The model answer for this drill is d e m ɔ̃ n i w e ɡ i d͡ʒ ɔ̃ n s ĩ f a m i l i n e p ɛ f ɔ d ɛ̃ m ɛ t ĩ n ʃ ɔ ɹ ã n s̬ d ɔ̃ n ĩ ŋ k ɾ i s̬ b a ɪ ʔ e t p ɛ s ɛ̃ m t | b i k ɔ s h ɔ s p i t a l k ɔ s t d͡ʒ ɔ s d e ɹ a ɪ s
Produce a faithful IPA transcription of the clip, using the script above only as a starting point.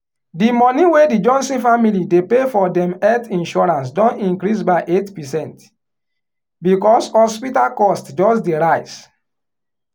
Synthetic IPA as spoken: d i m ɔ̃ n i w e d i d͡ʒ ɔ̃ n s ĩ f a m i l i d e p e f ɔ d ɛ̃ m ɛ t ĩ n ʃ ɔ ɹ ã n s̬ d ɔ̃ n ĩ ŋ k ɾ i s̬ b a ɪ ʔ e t p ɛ s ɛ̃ n t | b i k ɔ s h ɔ s p i t a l k ɔ s t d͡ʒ ɔ s d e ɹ a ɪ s